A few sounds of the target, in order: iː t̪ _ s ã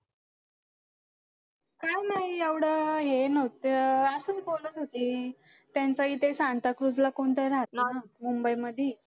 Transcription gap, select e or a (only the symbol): e